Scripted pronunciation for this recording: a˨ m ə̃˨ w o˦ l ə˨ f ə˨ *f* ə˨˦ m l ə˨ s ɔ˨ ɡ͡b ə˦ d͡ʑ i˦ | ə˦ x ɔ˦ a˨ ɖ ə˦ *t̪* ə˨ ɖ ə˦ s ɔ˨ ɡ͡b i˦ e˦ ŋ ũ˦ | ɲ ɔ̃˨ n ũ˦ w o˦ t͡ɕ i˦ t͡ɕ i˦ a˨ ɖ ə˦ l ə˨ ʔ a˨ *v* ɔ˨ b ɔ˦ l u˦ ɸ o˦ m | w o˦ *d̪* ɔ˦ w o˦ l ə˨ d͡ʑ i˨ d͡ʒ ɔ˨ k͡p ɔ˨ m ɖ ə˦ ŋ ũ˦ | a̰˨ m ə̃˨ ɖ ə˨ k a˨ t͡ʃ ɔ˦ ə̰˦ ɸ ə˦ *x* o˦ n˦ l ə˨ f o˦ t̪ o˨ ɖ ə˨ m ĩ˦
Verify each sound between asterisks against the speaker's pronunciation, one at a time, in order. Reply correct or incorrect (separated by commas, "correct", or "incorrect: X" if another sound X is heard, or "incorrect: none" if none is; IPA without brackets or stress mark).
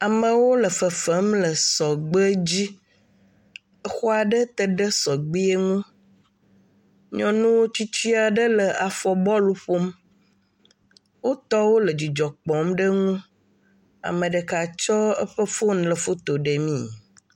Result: correct, correct, incorrect: f, incorrect: t̪, incorrect: f